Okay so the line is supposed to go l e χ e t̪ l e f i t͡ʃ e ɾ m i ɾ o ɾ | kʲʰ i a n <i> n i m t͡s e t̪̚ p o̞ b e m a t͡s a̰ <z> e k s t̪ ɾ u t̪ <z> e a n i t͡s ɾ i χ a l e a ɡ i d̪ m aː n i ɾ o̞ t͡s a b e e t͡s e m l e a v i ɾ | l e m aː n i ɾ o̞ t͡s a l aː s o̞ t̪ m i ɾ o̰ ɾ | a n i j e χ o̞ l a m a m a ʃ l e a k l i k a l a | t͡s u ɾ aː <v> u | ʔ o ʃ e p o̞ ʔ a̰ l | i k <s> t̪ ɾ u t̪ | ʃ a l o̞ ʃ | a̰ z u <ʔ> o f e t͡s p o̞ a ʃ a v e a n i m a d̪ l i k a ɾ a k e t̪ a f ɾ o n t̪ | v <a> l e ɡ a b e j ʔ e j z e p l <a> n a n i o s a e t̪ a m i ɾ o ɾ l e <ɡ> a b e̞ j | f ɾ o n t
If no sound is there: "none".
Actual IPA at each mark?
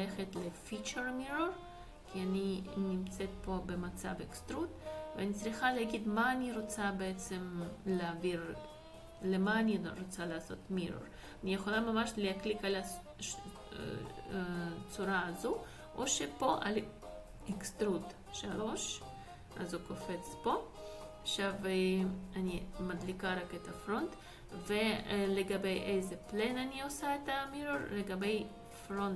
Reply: i, v, v, z, s, k, e, e, ɡ

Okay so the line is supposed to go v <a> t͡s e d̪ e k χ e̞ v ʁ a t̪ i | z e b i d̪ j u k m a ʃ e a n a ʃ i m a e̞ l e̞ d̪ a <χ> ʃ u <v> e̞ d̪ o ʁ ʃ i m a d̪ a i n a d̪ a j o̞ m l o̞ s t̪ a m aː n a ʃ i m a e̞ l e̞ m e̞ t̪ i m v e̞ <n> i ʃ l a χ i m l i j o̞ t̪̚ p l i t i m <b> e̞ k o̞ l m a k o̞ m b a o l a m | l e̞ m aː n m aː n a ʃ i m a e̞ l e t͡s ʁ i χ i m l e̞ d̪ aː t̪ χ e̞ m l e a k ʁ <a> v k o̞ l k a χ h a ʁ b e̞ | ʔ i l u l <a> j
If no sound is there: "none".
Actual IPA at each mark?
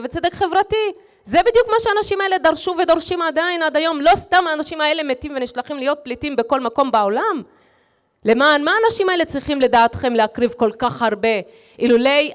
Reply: e, ʁ, v, n, b, i, e

